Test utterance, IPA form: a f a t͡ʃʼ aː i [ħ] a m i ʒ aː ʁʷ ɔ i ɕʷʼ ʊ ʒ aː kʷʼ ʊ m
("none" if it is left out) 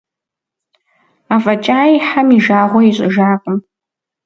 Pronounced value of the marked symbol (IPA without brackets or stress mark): ħ